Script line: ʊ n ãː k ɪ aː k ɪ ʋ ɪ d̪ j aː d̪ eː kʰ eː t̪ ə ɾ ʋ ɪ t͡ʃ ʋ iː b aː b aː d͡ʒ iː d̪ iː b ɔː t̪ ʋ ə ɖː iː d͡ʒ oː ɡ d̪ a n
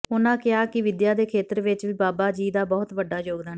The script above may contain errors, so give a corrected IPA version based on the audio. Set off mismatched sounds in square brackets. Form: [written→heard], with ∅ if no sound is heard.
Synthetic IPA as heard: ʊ n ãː k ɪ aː k ɪ ʋ ɪ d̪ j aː d̪ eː kʰ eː t̪ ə ɾ ʋ ɪ t͡ʃ ʋ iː b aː b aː d͡ʒ iː d̪ [iː→aː] b ɔː t̪ ʋ ə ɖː [iː→aː] d͡ʒ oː ɡ d̪ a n